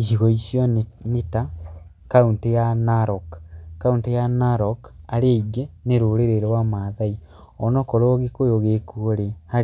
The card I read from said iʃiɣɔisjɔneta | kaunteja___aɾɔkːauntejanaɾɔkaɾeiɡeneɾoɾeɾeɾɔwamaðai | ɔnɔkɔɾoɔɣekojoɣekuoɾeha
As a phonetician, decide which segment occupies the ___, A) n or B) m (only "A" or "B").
A